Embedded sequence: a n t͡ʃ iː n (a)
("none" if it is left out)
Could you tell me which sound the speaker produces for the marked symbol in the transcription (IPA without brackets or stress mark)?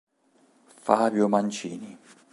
i